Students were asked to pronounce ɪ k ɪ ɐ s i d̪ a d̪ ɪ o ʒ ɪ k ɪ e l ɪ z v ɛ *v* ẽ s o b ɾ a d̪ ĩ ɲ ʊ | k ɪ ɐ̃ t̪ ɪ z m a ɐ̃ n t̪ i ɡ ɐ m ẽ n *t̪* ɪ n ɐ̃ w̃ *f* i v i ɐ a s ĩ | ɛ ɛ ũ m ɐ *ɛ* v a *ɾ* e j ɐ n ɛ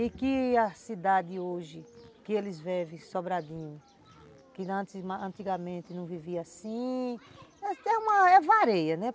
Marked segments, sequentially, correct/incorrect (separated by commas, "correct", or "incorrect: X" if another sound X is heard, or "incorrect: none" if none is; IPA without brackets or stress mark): correct, correct, incorrect: v, correct, correct